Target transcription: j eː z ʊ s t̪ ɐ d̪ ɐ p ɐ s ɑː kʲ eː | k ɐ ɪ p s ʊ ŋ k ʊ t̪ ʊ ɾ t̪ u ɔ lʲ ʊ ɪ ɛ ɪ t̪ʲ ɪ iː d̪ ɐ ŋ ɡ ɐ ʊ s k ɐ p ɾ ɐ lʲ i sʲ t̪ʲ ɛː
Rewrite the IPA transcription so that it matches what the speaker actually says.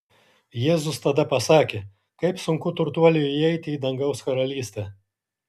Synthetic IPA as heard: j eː z ʊ s t̪ ɐ d̪ ɐ p ɐ s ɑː kʲ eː | k ɐ ɪ p s ʊ ŋ k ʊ t̪ ʊ ɾ t̪ u ɔ lʲ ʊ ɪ ɛ ɪ t̪ʲ ɪ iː d̪ ɐ ŋ ɡ ɐ ʊ s k ɐ ɾ ɐ lʲ iː sʲ t̪ʲ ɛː